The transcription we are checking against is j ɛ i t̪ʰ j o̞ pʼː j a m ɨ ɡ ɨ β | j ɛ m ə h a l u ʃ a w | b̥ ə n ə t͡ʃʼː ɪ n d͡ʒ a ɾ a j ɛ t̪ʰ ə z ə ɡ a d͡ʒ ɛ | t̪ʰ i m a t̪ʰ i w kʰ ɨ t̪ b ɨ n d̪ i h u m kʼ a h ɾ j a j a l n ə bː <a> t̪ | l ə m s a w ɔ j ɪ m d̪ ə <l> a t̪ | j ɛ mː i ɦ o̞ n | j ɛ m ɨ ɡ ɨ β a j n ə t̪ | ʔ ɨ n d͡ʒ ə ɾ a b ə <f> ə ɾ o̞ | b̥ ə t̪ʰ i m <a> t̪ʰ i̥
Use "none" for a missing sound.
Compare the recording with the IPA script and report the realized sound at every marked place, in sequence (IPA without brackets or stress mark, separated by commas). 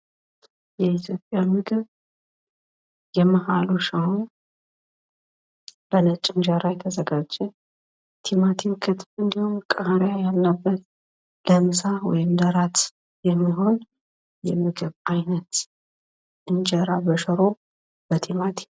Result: ə, ɾ, ʃ, a